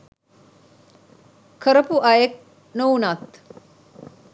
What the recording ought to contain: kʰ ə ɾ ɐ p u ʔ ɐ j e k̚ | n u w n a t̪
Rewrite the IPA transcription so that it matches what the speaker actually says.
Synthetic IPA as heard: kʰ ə ɾ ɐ p u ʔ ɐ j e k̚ | n o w n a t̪